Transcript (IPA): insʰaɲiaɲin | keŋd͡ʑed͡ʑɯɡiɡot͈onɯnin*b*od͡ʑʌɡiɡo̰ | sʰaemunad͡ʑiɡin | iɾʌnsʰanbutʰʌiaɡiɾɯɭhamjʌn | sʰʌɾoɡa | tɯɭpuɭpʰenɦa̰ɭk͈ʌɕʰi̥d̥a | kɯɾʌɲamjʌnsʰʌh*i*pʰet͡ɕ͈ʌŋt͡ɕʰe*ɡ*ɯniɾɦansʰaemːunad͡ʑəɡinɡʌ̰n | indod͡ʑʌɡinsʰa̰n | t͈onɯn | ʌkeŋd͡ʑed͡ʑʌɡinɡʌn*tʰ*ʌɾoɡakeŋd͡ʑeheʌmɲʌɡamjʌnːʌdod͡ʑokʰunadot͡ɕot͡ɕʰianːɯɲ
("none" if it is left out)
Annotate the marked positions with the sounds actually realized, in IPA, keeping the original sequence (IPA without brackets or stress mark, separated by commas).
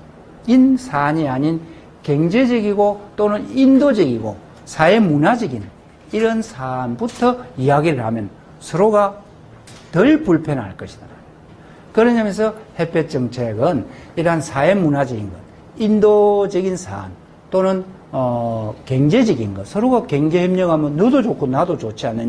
d, e, ɡ, sʰ